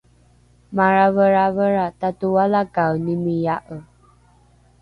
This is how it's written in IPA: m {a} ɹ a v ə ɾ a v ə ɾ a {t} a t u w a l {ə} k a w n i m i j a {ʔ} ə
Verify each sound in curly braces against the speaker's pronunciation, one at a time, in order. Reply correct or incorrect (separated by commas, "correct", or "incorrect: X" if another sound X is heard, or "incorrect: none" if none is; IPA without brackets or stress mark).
correct, correct, incorrect: a, correct